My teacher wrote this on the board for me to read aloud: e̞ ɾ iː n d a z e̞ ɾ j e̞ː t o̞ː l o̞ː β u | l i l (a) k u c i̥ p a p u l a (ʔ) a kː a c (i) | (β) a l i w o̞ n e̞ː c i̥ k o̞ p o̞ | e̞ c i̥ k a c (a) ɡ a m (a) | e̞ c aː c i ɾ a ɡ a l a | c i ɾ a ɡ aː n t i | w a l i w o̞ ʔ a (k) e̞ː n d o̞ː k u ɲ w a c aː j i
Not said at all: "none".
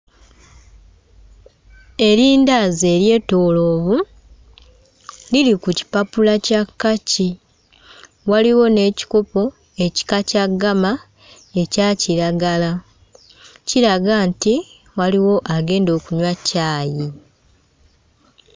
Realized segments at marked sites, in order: i, c, i, w, a, a, ɡ

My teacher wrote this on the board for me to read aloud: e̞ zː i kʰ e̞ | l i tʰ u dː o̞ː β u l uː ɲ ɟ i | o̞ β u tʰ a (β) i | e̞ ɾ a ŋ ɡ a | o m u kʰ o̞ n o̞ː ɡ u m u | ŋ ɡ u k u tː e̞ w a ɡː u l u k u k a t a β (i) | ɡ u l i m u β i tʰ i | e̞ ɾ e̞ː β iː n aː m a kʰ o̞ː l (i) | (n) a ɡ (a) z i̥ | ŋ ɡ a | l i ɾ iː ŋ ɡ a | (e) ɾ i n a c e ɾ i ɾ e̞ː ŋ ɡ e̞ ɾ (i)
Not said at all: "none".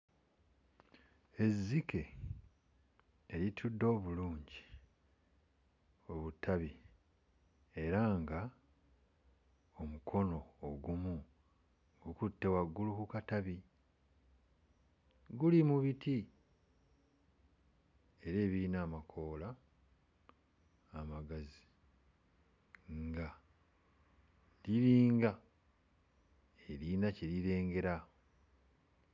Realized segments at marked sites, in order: β, i, a, m, a, e, a

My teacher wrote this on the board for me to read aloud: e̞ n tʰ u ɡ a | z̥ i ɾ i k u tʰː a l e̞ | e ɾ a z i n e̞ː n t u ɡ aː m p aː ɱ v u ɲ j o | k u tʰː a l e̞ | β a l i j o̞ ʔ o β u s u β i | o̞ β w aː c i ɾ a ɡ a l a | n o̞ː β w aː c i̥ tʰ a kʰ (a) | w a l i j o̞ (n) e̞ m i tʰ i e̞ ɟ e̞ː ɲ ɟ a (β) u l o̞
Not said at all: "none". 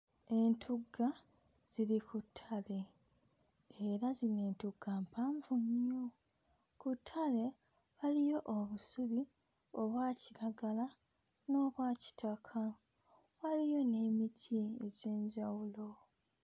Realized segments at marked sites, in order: a, n, w

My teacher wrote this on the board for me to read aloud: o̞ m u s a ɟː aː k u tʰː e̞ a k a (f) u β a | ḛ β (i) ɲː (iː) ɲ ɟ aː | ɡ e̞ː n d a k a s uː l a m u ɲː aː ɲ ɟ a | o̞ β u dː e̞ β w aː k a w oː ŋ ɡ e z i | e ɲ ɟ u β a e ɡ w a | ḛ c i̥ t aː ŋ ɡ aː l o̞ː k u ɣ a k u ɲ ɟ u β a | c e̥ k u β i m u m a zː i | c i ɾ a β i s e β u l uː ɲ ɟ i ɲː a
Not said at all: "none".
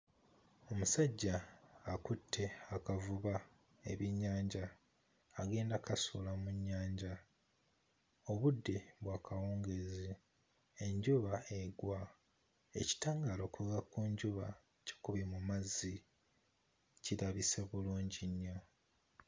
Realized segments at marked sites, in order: v, i, aː

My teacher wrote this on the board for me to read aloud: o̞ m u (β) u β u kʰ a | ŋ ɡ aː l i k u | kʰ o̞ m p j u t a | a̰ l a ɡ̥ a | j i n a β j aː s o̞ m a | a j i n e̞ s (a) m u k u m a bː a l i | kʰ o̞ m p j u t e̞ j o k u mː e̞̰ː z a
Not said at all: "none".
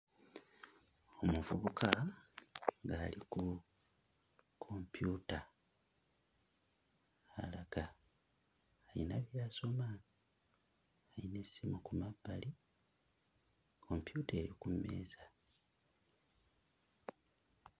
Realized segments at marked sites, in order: v, i

